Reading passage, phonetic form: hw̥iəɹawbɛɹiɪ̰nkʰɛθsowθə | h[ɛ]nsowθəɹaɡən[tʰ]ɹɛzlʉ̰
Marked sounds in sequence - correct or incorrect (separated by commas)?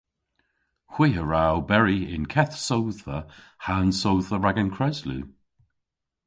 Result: incorrect, incorrect